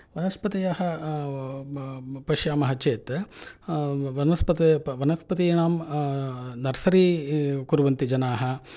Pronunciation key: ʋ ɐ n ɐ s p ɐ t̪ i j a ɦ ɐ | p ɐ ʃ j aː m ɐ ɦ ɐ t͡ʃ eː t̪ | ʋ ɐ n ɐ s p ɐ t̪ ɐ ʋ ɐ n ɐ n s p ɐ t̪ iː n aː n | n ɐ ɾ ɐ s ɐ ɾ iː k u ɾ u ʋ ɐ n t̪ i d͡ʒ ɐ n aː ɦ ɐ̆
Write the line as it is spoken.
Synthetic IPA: ʋ ɐ n ɐ s p ɐ t̪ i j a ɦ ɐ | p ɐ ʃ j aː m ɐ ɦ ɐ t͡ʃ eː t̪ | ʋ ɐ n ɐ s p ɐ t̪ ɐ ʋ ɐ n ɐ s p ɐ t̪ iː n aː m | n ɐ ɾ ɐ s ɐ ɾ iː k u ɾ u ʋ ɐ n t̪ i d͡ʒ ɐ n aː ɦ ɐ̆